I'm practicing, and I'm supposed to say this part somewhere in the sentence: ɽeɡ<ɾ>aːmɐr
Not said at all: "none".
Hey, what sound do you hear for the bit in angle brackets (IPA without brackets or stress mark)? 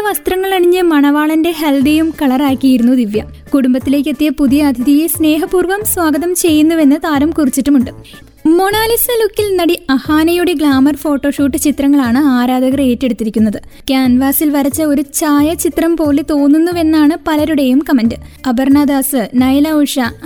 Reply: ɭ